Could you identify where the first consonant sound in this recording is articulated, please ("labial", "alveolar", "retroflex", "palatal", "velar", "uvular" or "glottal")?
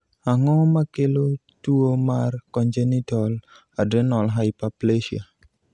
velar